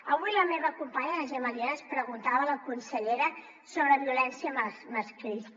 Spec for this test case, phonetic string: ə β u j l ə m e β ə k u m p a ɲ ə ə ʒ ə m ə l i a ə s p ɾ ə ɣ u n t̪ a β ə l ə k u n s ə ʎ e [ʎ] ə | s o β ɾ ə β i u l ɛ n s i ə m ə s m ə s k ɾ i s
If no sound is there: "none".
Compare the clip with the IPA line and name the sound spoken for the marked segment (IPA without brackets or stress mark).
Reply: ɾ